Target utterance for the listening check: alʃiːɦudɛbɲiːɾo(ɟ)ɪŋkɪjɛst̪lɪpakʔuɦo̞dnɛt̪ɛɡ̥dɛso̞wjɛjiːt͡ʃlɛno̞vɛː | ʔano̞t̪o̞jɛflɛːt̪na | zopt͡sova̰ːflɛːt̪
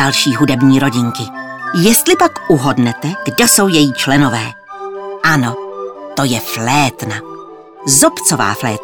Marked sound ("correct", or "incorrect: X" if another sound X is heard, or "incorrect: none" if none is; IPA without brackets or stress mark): correct